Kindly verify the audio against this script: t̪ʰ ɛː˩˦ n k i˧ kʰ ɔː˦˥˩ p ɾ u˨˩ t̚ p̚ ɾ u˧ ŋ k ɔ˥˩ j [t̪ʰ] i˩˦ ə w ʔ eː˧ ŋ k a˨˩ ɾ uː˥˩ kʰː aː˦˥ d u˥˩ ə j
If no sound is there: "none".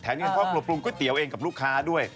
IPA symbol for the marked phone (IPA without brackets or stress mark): t̪